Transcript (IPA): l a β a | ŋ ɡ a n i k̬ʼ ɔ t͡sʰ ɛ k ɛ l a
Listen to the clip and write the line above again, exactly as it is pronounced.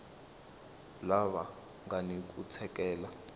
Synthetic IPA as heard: l a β a | ŋ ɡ a n i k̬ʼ u t͡sʰ ɛ k ɛː l a